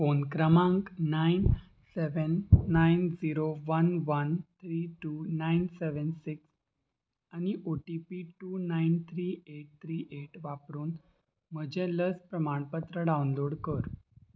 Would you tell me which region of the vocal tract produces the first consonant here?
lips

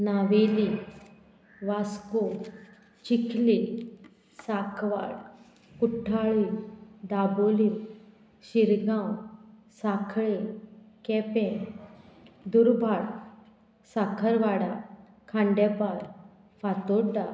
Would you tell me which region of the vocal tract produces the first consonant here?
tongue tip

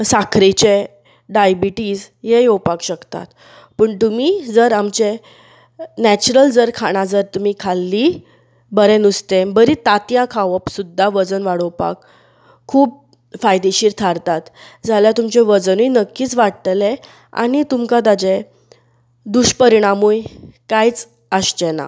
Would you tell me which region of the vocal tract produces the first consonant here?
tongue tip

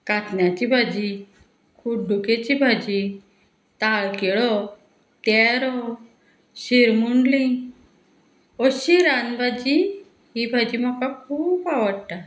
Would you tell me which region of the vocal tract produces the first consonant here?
velum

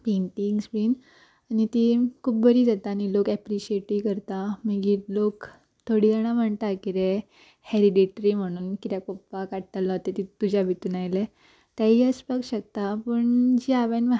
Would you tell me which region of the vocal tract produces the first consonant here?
lips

